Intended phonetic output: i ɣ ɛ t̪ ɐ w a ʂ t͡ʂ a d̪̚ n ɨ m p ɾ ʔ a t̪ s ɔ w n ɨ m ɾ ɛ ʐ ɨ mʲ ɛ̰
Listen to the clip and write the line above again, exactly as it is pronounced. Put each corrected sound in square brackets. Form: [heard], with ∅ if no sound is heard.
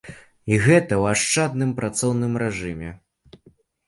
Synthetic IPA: i ɣ ɛ t̪ ɐ w a ʂ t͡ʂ a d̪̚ n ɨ m p ɾ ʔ a t̪ s ɔ w n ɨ m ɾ ɛ ʐ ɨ mʲ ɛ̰